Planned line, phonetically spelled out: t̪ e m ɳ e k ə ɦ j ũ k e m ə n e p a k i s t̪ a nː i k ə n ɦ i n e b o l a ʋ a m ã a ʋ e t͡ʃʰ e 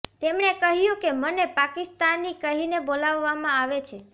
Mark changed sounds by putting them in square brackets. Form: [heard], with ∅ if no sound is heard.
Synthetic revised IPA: t̪ e m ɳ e k ə ɦ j ũ k e m ə n e p a k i s t̪ a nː i k ə [∅] ɦ i n e b o l a [ʋː] a m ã a ʋ e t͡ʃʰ e